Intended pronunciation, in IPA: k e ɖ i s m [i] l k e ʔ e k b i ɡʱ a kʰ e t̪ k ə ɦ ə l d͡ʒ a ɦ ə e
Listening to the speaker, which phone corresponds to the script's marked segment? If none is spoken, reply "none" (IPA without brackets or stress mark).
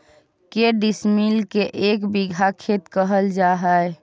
i